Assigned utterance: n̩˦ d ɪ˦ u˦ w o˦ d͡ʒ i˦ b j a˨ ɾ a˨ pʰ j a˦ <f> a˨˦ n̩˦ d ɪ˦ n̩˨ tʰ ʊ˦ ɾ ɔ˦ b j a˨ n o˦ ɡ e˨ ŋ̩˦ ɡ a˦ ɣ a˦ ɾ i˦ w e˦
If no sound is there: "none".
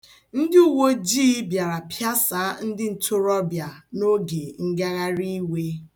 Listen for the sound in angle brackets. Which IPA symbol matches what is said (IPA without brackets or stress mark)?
s